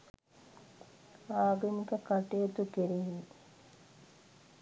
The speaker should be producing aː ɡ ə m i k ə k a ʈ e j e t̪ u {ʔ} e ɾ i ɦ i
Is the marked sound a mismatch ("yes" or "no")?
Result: yes